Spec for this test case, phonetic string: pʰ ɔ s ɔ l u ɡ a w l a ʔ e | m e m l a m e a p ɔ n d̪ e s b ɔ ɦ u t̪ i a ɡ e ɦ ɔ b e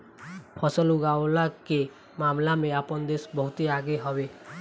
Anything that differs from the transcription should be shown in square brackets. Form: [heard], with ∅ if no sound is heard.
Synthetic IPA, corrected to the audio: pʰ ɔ s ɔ l u ɡ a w l a [k] e | m [a] m l a m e a p ɔ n d̪ e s b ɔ ɦ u t̪ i a ɡ e ɦ ɔ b e